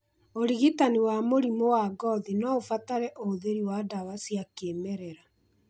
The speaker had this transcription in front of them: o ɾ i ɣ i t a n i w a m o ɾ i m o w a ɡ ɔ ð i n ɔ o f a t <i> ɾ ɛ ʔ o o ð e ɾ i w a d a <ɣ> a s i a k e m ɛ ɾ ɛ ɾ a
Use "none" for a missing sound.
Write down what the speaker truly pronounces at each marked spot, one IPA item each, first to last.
a, w

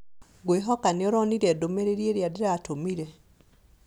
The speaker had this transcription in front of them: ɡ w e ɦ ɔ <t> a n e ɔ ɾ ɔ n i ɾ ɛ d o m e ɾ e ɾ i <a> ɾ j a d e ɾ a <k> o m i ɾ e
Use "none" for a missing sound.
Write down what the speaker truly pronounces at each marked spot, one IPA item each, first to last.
k, e, t

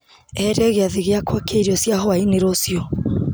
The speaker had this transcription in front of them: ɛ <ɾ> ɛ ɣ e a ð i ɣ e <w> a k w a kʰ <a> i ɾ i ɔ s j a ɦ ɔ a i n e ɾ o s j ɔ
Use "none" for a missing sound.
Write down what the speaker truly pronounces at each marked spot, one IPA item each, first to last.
ɾ, none, e

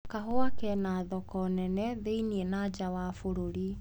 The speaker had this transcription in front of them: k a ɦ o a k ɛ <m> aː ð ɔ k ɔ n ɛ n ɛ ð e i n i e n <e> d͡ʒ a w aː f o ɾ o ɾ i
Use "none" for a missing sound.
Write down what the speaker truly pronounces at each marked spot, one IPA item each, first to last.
n, a

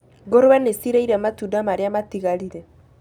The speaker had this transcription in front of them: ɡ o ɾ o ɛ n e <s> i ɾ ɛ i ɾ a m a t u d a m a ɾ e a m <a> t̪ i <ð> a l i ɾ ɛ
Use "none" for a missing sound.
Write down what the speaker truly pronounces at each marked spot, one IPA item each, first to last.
s, a, ɣ

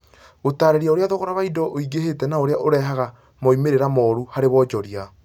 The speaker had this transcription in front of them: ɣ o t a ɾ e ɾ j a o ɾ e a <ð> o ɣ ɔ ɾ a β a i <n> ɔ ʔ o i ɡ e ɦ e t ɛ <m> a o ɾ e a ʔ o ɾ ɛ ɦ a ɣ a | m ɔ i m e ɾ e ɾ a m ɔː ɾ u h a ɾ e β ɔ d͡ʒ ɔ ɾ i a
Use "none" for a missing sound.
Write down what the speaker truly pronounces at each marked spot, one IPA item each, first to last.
ð, d, n

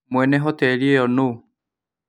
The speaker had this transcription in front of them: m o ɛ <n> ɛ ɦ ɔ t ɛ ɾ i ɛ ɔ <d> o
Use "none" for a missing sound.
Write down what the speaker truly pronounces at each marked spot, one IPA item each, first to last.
n, n

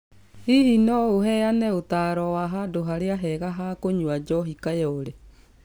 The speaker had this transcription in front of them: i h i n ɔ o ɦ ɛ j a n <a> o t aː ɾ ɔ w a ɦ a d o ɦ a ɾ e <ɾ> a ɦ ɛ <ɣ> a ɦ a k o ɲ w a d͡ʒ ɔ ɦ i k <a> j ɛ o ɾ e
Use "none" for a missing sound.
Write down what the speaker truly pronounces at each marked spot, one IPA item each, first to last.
ɛ, none, ɣ, a

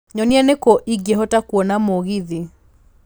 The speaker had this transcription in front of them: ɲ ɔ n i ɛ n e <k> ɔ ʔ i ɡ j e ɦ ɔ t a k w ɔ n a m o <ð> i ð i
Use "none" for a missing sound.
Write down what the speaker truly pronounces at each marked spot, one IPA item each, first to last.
k, ɣ

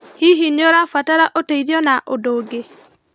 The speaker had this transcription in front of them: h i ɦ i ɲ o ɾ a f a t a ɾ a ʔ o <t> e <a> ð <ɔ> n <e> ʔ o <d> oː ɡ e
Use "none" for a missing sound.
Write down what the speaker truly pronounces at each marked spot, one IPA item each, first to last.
t, i, ɔ, a, d

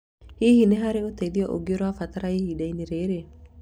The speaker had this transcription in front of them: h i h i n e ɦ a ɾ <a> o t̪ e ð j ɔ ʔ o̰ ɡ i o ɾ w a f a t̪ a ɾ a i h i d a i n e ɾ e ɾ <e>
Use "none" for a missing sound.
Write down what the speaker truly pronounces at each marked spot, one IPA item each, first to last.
e, e

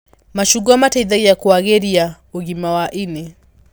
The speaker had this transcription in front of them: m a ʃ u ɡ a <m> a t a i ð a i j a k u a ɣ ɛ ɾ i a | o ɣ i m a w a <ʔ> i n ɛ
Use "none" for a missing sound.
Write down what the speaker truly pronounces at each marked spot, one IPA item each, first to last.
m, ʔ

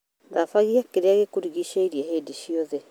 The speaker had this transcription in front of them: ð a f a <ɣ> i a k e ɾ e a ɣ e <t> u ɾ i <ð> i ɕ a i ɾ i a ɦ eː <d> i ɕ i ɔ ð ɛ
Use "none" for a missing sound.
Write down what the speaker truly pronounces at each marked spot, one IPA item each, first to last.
ɣ, k, ɣ, d

